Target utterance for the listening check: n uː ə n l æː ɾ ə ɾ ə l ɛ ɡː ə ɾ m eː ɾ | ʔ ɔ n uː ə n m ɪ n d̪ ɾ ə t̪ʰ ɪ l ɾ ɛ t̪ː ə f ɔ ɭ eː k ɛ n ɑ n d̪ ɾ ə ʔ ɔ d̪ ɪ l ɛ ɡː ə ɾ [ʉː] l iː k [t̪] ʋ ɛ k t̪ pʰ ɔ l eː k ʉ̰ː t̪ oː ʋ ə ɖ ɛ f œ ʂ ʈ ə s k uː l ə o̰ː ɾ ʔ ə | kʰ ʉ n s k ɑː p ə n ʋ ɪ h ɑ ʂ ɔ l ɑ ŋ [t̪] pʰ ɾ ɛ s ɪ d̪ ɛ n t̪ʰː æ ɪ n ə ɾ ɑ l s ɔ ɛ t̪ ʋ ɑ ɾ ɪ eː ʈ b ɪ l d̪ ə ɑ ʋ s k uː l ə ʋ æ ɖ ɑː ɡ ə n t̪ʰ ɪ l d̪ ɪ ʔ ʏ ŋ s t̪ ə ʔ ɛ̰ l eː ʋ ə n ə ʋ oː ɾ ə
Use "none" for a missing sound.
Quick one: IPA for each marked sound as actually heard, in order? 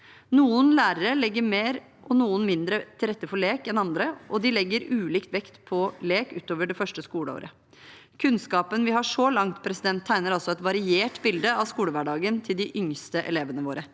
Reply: ʉː, t̪, t̪

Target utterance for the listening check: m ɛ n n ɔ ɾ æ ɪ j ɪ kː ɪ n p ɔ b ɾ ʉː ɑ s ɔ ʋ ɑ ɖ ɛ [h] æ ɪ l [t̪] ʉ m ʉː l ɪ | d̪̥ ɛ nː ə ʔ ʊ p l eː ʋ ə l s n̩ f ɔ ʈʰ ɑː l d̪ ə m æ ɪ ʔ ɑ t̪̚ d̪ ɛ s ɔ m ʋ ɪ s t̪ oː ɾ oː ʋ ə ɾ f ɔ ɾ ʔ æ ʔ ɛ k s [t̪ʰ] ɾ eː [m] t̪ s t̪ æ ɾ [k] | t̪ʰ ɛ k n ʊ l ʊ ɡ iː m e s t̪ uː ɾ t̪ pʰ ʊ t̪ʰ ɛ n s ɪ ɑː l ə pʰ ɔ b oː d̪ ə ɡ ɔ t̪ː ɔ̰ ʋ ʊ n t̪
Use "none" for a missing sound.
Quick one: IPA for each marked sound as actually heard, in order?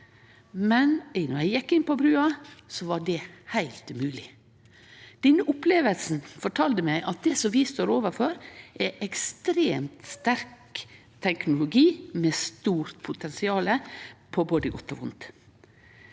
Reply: h, t̪, t̪, m, k

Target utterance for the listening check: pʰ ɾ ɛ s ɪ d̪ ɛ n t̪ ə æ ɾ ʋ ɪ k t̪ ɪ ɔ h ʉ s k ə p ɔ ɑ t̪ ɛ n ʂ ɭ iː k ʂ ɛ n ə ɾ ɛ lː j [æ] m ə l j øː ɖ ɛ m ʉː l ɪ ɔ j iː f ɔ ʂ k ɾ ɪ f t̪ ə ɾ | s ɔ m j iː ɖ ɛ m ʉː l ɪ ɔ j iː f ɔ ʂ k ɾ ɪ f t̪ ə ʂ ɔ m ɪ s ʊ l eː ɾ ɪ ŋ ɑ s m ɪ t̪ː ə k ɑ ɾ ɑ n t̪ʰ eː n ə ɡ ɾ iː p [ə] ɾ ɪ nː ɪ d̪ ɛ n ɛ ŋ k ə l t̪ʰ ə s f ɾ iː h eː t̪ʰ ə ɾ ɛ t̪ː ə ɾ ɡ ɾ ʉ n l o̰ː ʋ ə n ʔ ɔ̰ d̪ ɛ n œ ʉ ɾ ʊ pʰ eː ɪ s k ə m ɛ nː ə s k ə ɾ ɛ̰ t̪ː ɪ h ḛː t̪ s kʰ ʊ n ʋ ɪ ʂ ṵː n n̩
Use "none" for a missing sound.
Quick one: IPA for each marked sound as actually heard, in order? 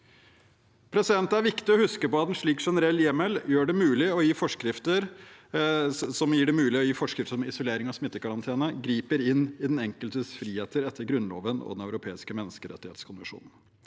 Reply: ɛ, ə

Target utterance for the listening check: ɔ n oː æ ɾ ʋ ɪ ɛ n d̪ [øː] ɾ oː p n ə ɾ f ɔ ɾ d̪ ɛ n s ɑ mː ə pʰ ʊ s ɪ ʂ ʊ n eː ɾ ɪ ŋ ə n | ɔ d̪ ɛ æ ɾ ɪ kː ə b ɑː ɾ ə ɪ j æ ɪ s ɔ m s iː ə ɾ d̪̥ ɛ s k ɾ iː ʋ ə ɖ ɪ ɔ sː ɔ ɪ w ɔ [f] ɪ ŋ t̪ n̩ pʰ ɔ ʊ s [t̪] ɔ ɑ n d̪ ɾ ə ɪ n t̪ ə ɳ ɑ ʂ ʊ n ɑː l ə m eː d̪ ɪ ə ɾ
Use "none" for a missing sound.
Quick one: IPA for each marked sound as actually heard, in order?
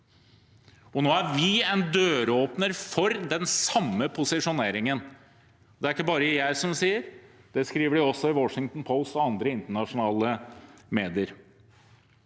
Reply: øː, ʂ, t̪

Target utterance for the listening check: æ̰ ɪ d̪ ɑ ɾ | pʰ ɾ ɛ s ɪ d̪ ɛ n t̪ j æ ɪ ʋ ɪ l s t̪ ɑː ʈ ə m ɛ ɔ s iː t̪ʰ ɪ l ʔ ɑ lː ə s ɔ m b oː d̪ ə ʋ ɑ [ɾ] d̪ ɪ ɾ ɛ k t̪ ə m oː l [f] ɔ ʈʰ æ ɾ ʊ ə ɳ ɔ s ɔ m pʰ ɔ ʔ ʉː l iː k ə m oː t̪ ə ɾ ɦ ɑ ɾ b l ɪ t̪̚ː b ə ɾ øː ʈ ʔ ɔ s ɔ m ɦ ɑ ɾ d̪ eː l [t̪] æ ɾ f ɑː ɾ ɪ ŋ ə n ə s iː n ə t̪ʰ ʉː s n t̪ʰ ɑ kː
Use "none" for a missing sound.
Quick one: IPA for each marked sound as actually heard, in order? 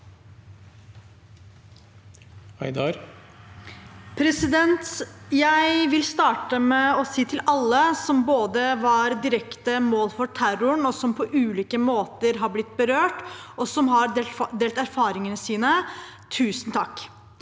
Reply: ɾ, f, t̪

